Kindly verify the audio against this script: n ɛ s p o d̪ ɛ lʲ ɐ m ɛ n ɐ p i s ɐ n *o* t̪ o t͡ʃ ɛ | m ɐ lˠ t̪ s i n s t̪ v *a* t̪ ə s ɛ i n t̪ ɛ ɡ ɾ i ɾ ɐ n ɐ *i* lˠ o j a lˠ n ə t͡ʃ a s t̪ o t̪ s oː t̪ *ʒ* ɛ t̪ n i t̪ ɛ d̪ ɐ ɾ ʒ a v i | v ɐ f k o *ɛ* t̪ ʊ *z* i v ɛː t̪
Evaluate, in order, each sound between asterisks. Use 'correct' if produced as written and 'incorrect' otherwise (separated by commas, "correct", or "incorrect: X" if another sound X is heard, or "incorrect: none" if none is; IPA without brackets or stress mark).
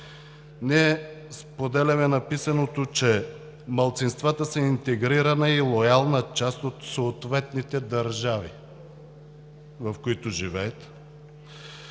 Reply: correct, correct, correct, incorrect: v, incorrect: i, incorrect: ʒ